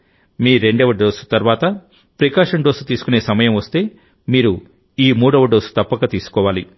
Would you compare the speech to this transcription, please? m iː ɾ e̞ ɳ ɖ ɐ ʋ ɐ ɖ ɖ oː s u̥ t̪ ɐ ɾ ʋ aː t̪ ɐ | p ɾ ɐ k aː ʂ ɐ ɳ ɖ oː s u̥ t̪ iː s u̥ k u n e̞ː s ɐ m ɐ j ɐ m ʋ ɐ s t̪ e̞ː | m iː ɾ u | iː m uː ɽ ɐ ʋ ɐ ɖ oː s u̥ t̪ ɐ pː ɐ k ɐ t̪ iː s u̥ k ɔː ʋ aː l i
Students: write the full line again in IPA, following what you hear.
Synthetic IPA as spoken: m iː ɾ e̞ ɳ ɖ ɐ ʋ ɐ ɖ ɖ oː s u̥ t̪ ɐ ɾ ʋ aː t̪ ɐ | p ɾ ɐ k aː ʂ ɐ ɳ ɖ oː s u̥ t̪ iː s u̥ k u n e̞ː s ɐ m ɐ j ɐ m ʋ ɐ s t̪ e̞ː | m iː ɾ u | iː m uː ɽ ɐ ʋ ɐ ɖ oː s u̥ t̪ ɐ pː ɐ k ɐ t̪ iː s u̥ k ɔː ʋ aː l i